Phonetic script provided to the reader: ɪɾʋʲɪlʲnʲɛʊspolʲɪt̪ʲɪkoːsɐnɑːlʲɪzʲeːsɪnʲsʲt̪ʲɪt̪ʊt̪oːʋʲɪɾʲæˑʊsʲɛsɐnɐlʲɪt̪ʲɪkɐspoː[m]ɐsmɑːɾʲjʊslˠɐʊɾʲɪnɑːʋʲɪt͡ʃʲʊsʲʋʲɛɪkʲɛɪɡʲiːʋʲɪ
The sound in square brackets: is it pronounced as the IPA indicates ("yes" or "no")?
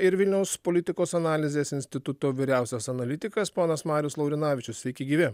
no